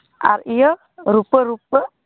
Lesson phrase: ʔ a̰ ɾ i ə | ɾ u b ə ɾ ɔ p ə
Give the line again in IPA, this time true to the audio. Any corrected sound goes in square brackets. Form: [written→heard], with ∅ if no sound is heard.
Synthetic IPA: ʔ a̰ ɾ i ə | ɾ u [b→p] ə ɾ [ɔ→u] p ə